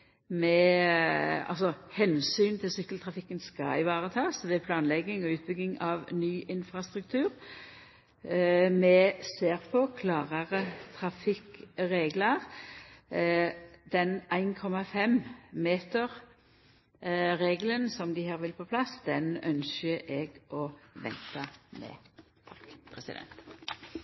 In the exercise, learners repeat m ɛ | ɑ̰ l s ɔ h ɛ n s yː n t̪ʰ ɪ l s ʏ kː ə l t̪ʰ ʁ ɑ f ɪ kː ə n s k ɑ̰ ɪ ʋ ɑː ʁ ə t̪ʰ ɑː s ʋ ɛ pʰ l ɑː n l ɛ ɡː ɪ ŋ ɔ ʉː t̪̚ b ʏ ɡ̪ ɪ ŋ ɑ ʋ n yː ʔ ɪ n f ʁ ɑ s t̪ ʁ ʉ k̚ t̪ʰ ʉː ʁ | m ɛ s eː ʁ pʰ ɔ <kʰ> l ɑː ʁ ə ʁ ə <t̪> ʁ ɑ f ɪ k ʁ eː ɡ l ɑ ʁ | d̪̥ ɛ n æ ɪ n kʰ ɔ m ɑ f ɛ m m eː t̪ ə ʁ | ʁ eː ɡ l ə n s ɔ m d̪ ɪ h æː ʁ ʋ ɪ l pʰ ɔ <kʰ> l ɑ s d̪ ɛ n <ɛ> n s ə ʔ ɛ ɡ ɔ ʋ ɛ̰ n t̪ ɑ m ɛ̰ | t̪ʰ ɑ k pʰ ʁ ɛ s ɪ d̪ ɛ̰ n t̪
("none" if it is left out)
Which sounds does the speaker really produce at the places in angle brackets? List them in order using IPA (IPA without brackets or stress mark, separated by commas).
kʰ, t̪ʰ, pʰ, œ